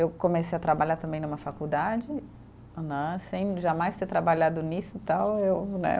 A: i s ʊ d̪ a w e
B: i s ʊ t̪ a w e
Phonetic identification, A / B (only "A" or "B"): B